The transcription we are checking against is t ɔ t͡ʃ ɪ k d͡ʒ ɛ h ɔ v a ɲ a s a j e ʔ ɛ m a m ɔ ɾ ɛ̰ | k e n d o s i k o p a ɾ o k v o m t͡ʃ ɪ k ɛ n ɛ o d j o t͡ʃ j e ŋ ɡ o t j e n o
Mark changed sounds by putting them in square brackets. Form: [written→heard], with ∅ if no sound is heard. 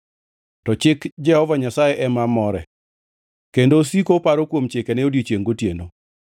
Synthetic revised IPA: t ɔ t͡ʃ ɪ k d͡ʒ ɛ h ɔ v a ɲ a s a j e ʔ ɛ m a m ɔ ɾ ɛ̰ | k e n d o s i k o p a ɾ o k [v→w] o m t͡ʃ ɪ k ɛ n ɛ o d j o t͡ʃ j e ŋ ɡ o t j e n o